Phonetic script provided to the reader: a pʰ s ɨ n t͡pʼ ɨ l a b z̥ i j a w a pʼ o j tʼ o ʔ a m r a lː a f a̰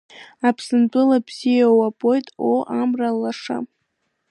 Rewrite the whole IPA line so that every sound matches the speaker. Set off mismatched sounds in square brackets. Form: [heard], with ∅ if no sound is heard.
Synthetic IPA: a pʰ s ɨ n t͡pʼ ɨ l a b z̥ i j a w a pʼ o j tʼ o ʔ a m r a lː a [ʂ] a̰